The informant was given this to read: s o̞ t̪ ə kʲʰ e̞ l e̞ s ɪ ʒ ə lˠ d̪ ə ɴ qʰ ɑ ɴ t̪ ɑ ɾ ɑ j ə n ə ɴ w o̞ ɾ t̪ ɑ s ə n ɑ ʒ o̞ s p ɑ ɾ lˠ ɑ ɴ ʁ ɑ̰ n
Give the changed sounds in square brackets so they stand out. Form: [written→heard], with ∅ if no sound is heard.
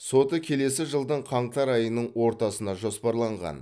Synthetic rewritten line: s o̞ t̪ ə kʲʰ e̞ l e̞ s ɪ ʒ ə lˠ d̪ ə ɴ qʰ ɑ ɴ t̪ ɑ ɾ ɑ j ə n ə ɴ w o̞ ɾ t̪ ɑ s ə n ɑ ʒ o̞ s p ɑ ɾ lˠ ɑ ɴ ʁ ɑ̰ n

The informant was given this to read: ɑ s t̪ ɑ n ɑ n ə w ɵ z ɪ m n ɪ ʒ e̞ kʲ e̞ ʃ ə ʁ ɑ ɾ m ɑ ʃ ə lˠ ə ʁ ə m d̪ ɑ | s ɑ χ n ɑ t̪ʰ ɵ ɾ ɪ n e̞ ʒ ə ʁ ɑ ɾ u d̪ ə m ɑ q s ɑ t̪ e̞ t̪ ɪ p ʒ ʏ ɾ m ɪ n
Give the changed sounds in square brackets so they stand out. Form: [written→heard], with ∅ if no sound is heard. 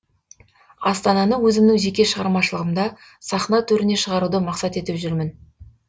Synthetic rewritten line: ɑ s t̪ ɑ n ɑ n ə w ɵ z ɪ m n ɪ ʒ e̞ kʲ e̞ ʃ ə ʁ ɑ ɾ m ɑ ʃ ə lˠ ə ʁ ə m d̪ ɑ | s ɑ χ n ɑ t̪ʰ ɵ ɾ ɪ n e̞ [ʒ→ʃ] ə ʁ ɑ ɾ u d̪ ə m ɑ q s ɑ t̪ e̞ t̪ ɪ p ʒ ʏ ɾ m ɪ n

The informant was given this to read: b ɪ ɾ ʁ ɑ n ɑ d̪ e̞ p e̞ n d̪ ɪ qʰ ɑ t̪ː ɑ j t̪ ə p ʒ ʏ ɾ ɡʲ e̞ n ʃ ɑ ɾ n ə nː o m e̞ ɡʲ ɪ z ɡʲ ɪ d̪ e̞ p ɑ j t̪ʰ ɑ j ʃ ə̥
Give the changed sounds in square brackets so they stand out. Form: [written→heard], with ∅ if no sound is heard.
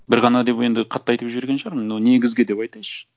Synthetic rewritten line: b ɪ ɾ ʁ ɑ n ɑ d̪ e̞ p e̞ n d̪ ɪ qʰ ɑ t̪ː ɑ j t̪ ə p ʒ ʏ ɾ ɡʲ e̞ n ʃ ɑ ɾ [n→m] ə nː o [m→n] e̞ ɡʲ ɪ z ɡʲ ɪ d̪ e̞ p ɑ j [t̪ʰ→t̪] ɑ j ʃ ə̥

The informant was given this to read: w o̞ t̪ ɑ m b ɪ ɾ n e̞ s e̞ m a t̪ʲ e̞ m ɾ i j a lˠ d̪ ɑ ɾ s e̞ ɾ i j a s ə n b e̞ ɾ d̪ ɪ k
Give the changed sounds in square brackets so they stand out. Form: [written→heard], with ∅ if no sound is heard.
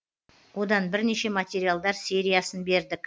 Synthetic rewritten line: w o̞ [t̪→d̪] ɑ [m→n] b ɪ ɾ n e̞ [s→ʃ] e̞ m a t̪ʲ e̞ [m→∅] ɾ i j a lˠ d̪ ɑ ɾ s e̞ ɾ i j a s ə n b e̞ ɾ d̪ ɪ k

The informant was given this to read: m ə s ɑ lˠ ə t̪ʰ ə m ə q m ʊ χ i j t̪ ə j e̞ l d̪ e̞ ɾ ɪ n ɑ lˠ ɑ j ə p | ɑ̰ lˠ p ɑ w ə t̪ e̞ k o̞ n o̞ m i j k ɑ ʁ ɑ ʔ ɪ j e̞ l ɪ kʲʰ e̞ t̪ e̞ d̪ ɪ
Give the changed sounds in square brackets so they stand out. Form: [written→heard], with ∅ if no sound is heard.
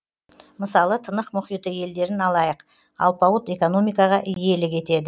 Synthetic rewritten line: m ə s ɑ lˠ ə t̪ʰ ə [m→n] ə q m ʊ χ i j t̪ ə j e̞ l d̪ e̞ ɾ ɪ n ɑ lˠ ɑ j ə [p→q] | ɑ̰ lˠ p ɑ w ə t̪ e̞ k o̞ n o̞ m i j k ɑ ʁ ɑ ʔ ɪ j e̞ l ɪ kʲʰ e̞ t̪ e̞ d̪ ɪ

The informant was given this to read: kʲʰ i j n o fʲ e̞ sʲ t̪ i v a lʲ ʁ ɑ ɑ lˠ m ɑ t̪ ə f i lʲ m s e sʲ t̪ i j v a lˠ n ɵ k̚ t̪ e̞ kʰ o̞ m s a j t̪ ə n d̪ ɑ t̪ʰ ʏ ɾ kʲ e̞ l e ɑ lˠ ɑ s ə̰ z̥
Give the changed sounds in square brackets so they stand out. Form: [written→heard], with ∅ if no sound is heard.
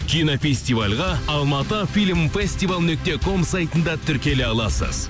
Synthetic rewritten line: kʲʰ i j n o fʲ e̞ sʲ t̪ i v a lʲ ʁ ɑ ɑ lˠ m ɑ t̪ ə f i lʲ m [s→f] e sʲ t̪ i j v a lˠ n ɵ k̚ t̪ e̞ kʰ o̞ m s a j t̪ ə n d̪ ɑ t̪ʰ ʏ ɾ kʲ e̞ l e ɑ lˠ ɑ s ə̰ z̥

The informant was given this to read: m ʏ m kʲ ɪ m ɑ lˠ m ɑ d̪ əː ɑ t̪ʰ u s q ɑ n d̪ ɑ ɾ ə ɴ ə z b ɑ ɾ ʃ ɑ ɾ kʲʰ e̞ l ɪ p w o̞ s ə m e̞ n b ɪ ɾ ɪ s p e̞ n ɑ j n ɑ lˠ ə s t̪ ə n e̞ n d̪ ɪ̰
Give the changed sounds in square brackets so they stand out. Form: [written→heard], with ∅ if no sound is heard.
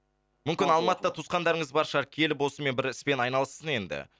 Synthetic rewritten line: m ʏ m kʲ ɪ [m→n] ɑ lˠ m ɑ [d̪→t̪] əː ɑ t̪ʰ u s q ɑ n d̪ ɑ ɾ ə ɴ ə z b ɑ ɾ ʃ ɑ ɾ kʲʰ e̞ l ɪ p w o̞ s ə m e̞ n b ɪ ɾ ɪ s p e̞ n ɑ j n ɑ lˠ ə s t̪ ə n e̞ n d̪ ɪ̰

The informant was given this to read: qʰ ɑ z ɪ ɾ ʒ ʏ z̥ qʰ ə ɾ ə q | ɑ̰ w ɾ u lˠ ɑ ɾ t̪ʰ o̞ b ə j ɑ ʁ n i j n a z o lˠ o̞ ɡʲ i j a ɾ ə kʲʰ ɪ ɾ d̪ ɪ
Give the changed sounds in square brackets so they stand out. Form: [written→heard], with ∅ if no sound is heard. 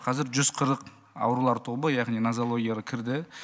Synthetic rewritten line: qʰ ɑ z ɪ ɾ ʒ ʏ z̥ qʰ ə ɾ ə q | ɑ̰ w ɾ u lˠ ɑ ɾ t̪ʰ o̞ b ə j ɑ ʁ n i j n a z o lˠ o̞ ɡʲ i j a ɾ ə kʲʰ ɪ ɾ d̪ ɪ

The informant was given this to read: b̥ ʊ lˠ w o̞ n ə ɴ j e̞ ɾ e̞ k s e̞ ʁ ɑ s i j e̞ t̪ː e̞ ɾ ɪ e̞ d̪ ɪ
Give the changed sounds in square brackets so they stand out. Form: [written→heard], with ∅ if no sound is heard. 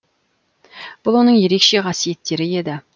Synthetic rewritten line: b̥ ʊ lˠ w o̞ n ə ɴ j e̞ ɾ e̞ k [s→ʃ] e̞ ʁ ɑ s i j e̞ t̪ː e̞ ɾ ɪ e̞ d̪ ɪ

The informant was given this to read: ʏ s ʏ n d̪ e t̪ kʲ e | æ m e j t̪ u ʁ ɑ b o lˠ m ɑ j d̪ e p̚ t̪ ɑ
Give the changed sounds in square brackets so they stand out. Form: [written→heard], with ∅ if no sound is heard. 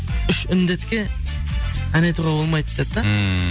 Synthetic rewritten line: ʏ [s→ʃ] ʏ n d̪ e t̪ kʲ e | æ [m→n] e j t̪ u ʁ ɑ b o lˠ m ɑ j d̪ e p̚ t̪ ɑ

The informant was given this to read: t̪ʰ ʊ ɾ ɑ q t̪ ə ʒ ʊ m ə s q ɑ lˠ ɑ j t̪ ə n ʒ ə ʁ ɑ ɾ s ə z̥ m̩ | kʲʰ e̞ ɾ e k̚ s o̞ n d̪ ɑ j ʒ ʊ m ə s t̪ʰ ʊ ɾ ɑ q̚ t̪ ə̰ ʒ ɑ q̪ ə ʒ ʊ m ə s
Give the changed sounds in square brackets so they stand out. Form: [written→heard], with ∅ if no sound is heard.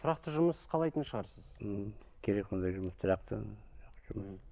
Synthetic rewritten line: t̪ʰ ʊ ɾ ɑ q t̪ ə ʒ ʊ m ə s [q→qʰ] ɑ lˠ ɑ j t̪ ə n [ʒ→ʃ] ə ʁ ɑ ɾ s ə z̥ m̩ | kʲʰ e̞ ɾ e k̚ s o̞ n d̪ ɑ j ʒ ʊ m ə s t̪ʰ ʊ ɾ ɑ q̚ t̪ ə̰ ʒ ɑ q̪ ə ʒ ʊ m ə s

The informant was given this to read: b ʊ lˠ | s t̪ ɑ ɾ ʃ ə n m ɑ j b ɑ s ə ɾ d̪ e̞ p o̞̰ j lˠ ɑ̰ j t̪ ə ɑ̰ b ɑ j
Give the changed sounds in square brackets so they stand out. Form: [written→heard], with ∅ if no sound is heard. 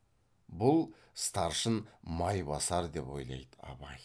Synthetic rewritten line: b ʊ lˠ | s t̪ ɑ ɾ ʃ ə n m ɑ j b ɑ s [ə→ɑ] ɾ d̪ e̞ p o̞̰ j lˠ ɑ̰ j [t̪→d̪] ə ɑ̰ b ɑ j

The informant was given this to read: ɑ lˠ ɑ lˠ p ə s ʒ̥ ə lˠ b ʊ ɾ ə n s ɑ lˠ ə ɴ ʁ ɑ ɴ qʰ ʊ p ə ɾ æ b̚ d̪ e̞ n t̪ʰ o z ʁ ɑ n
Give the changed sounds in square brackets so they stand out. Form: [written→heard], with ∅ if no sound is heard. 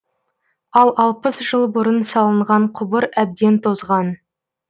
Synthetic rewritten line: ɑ lˠ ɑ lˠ p ə s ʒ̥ ə lˠ b ʊ ɾ ə n s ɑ lˠ ə ɴ ʁ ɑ ɴ qʰ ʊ [p→b] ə ɾ æ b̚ d̪ e̞ n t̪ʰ o z ʁ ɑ n

